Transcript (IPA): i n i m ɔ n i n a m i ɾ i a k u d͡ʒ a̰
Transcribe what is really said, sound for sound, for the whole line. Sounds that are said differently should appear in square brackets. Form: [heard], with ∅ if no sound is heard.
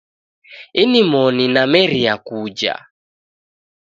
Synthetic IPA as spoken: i n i m ɔ n i n a m [ɛ] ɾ i a k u d͡ʒ a̰